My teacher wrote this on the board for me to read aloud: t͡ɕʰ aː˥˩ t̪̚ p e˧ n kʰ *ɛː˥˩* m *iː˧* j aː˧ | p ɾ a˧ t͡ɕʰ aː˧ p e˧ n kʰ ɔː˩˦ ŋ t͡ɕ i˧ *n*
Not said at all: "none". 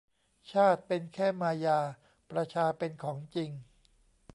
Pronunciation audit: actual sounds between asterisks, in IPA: ɛː˥˩, aː˧, ŋ

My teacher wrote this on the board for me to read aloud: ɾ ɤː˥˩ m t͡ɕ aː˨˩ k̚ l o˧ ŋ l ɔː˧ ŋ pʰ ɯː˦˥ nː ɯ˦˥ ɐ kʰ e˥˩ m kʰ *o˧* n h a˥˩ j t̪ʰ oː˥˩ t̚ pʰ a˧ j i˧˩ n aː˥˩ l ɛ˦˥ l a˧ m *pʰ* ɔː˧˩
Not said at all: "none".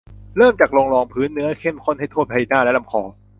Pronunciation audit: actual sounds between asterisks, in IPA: o˥˩, kʰ

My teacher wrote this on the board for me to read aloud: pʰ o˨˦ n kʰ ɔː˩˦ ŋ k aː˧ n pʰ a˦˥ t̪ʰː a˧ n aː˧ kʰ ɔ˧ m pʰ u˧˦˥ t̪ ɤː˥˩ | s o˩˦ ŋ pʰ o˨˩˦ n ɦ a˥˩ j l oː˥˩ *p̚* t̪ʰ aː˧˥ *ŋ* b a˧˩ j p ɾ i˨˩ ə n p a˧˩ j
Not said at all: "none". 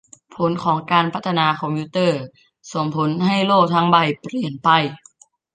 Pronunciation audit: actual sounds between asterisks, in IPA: k̚, ŋ

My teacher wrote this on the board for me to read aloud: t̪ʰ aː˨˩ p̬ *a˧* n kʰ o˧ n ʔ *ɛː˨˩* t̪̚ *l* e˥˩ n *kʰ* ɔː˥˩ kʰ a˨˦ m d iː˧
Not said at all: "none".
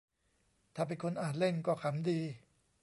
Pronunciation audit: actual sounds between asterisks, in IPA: e˧, aː˨˩, l, k

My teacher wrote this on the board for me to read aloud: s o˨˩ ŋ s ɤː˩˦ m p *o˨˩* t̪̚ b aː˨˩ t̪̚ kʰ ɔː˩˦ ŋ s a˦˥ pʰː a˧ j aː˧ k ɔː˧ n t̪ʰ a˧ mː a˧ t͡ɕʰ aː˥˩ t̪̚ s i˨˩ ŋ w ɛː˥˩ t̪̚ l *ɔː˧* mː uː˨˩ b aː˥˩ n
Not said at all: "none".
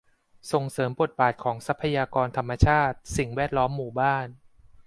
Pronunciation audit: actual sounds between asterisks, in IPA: o˨˩, ɔː˦˥

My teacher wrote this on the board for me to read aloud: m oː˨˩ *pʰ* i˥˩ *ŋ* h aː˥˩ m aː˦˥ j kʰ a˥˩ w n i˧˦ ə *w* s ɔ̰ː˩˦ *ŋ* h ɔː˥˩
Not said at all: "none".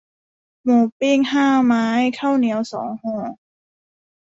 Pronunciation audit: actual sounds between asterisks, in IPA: p, ŋ, w, ŋ

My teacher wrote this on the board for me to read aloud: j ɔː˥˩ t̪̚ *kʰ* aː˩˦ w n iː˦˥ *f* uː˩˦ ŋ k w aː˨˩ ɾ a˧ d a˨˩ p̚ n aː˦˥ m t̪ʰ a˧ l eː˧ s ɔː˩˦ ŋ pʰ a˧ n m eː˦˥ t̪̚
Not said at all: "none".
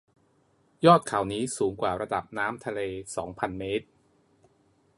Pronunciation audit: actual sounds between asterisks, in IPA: kʰ, s

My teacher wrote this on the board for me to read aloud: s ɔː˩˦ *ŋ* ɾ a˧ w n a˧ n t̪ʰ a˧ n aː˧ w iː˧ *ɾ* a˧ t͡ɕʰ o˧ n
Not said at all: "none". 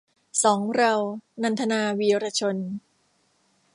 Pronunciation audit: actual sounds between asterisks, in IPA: ŋ, ɾ

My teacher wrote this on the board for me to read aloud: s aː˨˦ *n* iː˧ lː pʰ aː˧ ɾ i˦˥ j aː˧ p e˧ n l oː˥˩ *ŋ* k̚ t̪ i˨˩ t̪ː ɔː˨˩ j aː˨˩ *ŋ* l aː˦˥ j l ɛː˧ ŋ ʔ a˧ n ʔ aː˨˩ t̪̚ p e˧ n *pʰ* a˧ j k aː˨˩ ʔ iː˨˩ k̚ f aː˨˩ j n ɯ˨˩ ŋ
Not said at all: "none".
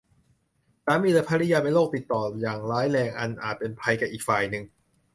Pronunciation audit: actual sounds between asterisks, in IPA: m, none, ŋ, pʰ

